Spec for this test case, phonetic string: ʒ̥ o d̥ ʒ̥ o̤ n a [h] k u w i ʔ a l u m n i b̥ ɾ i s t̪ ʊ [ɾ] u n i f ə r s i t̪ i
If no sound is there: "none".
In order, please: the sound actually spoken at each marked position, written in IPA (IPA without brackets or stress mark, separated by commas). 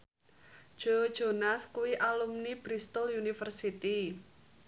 s, l